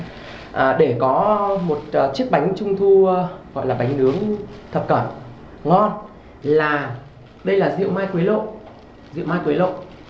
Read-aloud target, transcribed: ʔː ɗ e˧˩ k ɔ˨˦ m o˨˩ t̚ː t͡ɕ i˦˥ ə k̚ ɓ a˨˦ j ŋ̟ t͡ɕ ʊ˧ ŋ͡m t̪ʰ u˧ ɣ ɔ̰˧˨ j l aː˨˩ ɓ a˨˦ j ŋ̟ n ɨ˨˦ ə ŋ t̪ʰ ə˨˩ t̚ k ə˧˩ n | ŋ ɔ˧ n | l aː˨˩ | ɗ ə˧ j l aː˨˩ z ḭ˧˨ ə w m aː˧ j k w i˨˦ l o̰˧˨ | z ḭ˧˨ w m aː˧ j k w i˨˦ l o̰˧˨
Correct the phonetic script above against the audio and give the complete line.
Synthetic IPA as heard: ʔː ɗ e˧˩ k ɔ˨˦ m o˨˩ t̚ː t͡ɕ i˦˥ ə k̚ ɓ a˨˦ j ŋ̟ t͡ɕ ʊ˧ ŋ͡m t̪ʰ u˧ ɣ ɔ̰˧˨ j l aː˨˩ ɓ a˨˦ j ŋ̟ n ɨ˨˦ ə ŋ t̪ʰ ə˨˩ p̚ k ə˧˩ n | ŋ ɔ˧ n | l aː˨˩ | ɗ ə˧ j l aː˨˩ z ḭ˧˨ ə w m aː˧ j k w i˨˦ l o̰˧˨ | z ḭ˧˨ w m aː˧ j k w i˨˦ l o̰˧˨